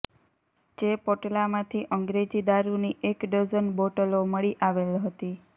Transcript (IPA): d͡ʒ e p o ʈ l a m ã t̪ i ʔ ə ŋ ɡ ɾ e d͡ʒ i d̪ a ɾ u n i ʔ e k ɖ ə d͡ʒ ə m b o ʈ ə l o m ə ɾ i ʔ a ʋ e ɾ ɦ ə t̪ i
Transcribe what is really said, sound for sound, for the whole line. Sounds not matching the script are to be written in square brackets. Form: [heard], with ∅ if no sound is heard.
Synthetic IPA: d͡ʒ e p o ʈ l a m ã [t̪ʰ] i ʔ ə ŋ ɡ ɾ e d͡ʒ i d̪ a ɾ u n i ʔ e k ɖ ə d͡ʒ ə [n] b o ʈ ə l o m ə [ɭ] i ʔ a ʋ e [l] ɦ ə t̪ i